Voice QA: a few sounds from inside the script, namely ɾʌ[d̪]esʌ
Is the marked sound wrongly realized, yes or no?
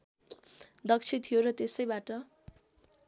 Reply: yes